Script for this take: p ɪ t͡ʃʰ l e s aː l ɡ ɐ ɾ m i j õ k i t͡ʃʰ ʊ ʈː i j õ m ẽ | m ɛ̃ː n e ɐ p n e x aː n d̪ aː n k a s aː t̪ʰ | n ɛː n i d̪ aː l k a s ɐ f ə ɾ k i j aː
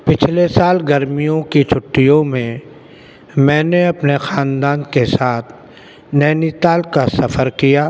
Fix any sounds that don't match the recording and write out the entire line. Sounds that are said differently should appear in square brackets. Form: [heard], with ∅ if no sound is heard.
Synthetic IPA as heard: p ɪ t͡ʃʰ l e s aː l ɡ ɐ ɾ m i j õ k i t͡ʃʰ ʊ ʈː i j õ m ẽ | m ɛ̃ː n e ɐ p n e x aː n d̪ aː n k [e] s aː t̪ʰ | n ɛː n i [t̪] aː l k a s ɐ f ə ɾ k i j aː